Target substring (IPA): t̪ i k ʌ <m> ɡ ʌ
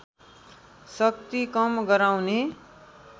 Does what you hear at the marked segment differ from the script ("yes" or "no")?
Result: no